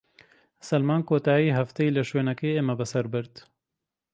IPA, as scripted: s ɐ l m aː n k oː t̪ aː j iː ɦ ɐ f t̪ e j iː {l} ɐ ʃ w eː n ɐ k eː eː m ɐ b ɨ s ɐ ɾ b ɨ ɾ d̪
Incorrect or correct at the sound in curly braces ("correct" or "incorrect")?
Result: correct